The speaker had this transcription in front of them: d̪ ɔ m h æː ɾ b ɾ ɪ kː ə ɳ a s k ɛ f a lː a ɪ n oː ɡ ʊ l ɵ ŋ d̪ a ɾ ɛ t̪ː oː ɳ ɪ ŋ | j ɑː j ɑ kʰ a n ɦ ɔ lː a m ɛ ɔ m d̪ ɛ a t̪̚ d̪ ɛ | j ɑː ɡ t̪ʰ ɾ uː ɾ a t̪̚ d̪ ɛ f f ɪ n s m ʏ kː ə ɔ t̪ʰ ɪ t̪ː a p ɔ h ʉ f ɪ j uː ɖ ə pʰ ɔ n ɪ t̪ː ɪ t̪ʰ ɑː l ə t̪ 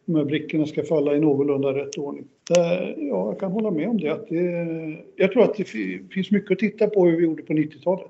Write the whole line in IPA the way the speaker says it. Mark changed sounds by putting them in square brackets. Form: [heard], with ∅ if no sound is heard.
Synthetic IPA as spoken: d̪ ɔ m h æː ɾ b ɾ ɪ kː ə ɳ a s k [a] f a lː a ɪ n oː ɡ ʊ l ɵ [n] d̪ a ɾ ɛ t̪ː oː ɳ ɪ ŋ | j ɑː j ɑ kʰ a n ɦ ɔ lː a m ɛ ɔ m d̪ ɛ a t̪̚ d̪ ɛ | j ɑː ɡ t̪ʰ ɾ uː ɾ a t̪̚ d̪ ɛ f f ɪ n s m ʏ kː ə ɔ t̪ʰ ɪ t̪ː a p ɔ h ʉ [v] ɪ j uː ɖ ə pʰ ɔ n ɪ t̪ː ɪ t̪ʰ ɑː l ə t̪